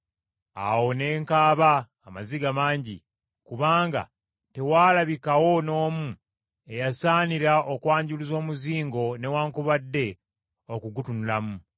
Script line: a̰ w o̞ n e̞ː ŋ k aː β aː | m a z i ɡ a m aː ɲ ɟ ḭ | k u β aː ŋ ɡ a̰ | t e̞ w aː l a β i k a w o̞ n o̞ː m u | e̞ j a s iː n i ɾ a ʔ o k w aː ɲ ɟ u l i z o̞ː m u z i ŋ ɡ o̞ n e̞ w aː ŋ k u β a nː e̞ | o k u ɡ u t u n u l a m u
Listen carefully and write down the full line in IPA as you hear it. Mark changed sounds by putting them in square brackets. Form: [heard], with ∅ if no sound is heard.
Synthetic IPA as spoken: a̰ w o̞ n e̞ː ŋ k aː β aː | m a z i ɡ a m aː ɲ ɟ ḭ | k u β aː ŋ ɡ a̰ | t e̞ w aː l a β i k a w o̞ n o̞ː m u | e̞ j a s [aː] n i ɾ a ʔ o k w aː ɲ ɟ u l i z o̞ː m u z [iː] ŋ ɡ o̞ n e̞ w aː ŋ k u β a [dː] e̞ | o k u ɡ u t u n u l a m u